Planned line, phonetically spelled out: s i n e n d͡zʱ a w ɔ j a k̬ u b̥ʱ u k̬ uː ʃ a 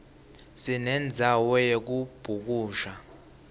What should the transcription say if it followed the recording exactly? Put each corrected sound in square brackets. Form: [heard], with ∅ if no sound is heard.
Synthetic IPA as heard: s i n [ɛ] n d͡zʱ a w ɔ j [e] k̬ u b̥ʱ u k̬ uː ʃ a